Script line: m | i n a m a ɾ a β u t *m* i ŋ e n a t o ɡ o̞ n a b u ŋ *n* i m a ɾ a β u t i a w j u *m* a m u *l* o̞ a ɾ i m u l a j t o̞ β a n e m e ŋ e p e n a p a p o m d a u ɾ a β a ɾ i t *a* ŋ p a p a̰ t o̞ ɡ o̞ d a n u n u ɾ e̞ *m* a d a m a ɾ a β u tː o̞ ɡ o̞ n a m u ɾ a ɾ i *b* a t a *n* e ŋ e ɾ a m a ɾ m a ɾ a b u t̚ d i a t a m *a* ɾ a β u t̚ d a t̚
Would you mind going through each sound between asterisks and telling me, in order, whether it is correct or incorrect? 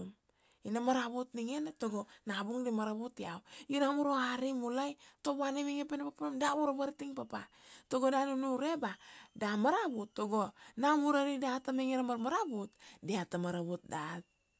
incorrect, incorrect, incorrect, incorrect, incorrect, incorrect, incorrect, incorrect, correct

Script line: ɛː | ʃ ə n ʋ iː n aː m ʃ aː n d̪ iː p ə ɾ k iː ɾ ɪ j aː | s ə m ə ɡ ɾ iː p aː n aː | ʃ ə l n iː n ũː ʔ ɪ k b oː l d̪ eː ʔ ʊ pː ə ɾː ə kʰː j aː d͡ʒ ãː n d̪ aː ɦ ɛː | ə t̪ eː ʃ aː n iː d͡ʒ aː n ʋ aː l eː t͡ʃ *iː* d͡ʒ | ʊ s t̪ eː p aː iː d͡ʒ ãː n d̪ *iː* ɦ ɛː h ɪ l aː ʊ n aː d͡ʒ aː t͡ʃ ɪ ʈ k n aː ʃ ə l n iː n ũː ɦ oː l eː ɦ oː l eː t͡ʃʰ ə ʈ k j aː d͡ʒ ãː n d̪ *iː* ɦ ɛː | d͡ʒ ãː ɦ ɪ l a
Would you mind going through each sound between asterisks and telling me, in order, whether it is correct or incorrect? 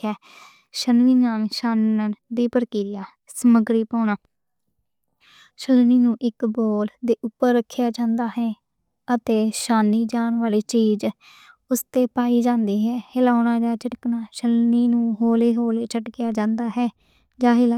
correct, correct, incorrect

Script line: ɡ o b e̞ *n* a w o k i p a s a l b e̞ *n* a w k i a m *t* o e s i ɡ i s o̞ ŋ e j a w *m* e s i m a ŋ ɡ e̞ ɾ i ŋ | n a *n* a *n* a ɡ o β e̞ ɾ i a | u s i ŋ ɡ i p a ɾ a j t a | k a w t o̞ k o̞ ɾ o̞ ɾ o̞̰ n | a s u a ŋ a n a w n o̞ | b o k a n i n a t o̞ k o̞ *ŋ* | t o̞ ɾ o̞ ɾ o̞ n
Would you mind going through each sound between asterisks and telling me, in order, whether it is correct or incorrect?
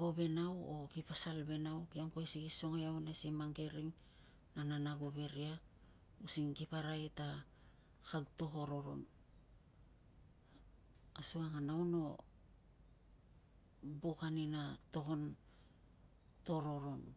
correct, correct, incorrect, incorrect, correct, correct, incorrect

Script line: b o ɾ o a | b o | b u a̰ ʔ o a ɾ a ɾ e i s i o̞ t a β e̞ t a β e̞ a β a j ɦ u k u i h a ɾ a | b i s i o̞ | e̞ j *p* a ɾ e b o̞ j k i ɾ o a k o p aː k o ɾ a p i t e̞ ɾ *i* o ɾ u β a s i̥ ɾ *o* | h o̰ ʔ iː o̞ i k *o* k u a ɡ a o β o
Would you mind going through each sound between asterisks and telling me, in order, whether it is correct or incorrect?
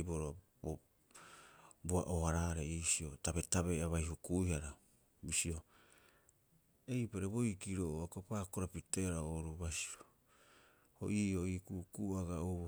correct, incorrect, correct, incorrect

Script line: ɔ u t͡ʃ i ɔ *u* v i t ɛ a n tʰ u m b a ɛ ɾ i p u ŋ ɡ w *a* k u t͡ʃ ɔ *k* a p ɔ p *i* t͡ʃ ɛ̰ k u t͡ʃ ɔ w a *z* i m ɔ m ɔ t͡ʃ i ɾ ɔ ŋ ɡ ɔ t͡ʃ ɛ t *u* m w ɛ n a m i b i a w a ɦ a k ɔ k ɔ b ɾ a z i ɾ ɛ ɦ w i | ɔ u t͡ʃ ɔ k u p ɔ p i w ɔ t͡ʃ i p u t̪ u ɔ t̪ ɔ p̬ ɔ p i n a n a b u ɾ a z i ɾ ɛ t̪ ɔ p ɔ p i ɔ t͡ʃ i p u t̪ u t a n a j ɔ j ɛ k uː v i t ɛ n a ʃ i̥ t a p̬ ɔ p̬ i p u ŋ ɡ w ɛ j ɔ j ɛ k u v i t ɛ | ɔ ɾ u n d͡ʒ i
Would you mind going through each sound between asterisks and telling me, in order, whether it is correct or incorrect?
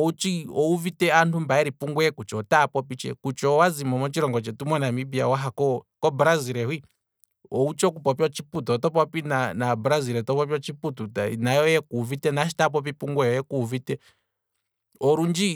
correct, incorrect, incorrect, correct, correct, correct

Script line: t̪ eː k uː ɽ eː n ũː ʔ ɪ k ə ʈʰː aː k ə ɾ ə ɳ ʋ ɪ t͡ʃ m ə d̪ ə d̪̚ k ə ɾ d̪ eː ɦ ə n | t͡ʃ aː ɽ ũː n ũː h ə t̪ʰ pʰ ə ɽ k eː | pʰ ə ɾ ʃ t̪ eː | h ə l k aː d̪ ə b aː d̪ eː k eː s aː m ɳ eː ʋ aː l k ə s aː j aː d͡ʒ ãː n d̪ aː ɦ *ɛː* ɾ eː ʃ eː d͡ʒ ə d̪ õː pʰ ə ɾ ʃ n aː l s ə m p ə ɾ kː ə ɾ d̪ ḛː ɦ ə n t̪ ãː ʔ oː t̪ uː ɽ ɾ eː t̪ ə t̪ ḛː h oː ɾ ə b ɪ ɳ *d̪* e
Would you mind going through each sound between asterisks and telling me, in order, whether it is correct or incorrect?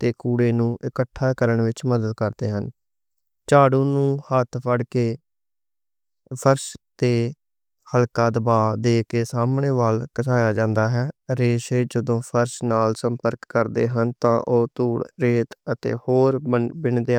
correct, correct

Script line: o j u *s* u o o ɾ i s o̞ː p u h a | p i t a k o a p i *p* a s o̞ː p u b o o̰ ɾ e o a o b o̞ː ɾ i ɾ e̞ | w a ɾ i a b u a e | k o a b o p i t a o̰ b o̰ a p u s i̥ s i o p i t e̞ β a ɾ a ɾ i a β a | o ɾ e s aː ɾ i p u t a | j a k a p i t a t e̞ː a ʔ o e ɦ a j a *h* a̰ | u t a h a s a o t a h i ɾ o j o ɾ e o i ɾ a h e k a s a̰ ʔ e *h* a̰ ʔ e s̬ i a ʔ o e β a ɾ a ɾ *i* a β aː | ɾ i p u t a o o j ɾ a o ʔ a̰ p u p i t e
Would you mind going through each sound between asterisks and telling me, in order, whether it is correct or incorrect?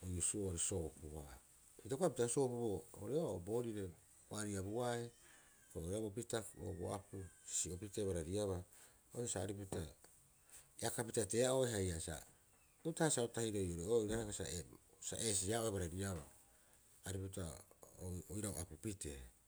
correct, incorrect, incorrect, incorrect, correct

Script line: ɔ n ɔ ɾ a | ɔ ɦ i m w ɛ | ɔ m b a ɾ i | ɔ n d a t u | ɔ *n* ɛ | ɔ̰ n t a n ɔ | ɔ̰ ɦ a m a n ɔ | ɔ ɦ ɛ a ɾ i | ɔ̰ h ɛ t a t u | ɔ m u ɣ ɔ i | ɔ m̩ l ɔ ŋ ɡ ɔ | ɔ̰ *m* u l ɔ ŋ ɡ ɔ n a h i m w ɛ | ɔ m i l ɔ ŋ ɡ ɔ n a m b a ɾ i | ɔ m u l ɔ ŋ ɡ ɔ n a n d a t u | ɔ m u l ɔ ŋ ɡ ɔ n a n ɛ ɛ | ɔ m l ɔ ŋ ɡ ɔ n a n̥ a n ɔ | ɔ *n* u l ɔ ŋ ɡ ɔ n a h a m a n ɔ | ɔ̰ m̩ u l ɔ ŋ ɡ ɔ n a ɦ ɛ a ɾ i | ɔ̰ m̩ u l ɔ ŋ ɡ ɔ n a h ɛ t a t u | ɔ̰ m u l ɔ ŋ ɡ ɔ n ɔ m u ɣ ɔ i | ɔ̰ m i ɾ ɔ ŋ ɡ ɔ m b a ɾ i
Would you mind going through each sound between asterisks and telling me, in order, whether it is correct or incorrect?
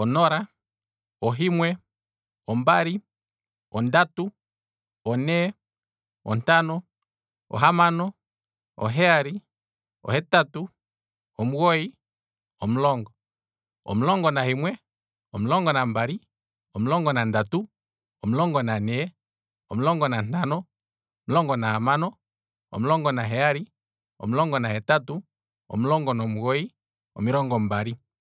correct, correct, incorrect

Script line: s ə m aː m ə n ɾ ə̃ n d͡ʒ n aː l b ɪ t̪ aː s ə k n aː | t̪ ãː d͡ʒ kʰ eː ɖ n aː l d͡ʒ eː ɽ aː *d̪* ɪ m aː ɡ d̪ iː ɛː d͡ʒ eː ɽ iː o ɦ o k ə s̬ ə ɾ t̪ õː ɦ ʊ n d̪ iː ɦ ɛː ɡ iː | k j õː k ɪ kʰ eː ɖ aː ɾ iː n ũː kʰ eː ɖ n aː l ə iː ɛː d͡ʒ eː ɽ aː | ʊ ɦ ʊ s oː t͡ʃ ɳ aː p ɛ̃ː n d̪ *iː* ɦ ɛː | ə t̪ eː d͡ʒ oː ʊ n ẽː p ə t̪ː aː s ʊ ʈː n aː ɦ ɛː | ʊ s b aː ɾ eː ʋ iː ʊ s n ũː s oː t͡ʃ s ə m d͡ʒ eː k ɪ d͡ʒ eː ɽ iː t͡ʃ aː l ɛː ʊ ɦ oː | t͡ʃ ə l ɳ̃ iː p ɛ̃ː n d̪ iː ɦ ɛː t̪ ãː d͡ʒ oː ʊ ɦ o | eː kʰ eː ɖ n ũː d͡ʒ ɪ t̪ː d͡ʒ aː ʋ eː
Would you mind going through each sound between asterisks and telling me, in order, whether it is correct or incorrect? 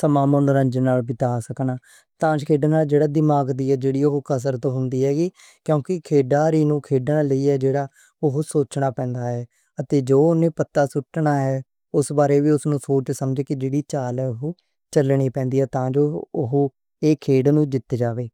correct, incorrect

